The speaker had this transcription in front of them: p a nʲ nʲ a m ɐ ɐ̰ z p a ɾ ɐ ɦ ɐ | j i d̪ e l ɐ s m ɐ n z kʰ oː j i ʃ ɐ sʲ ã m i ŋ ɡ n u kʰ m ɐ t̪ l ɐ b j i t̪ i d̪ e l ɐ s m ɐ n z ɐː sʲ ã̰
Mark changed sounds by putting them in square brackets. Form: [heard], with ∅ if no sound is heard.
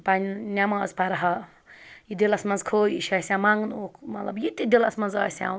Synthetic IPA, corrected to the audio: p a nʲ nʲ a m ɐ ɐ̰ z p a ɾ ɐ ɦ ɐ | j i d̪ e l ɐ s m ɐ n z kʰ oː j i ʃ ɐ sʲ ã m [a] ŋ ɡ n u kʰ m ɐ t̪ l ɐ b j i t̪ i d̪ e l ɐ s m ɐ n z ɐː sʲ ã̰